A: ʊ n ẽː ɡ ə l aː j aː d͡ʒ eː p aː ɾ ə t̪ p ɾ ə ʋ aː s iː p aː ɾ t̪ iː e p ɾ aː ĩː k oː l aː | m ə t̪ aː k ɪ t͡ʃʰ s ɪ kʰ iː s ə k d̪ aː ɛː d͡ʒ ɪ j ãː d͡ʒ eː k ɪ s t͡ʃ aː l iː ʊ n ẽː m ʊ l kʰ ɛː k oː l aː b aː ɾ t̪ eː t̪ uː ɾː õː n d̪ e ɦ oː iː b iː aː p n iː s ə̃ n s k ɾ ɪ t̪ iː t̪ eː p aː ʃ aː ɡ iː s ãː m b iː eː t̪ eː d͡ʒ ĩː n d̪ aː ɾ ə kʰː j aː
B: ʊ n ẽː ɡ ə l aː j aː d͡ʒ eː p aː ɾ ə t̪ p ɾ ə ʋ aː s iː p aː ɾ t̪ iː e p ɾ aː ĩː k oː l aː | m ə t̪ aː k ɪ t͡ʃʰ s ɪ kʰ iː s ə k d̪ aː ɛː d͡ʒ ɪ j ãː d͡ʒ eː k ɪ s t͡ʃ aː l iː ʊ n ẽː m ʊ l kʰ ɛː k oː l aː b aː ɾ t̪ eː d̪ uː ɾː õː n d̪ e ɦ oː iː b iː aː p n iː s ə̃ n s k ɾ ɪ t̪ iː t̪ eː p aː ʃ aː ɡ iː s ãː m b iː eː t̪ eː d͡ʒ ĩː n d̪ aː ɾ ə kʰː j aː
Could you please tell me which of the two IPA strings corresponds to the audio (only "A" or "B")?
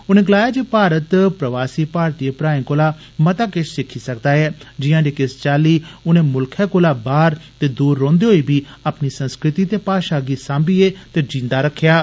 B